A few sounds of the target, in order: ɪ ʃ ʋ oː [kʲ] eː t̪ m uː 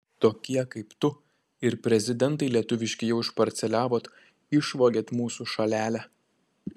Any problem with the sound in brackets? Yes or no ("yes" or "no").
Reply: yes